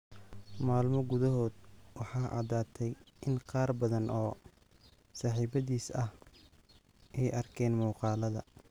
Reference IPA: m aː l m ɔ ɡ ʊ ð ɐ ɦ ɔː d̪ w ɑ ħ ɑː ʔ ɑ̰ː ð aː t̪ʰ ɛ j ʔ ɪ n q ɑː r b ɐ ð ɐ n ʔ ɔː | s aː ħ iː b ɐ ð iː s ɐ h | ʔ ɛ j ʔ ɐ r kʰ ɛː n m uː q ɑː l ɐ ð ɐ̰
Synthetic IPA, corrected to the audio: m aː l m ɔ ɡ ʊ ð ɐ ɦ ɔː d̪ w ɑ ħ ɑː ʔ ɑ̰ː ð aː t̪ʰ ɛ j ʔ ɪ n q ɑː r b ɐ ð ɐ n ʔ ɔː | s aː ħ iː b ɐ ð iː s ɐ h | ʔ ɛ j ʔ ɐ r kʰ ɛː n m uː q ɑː l ɐ ð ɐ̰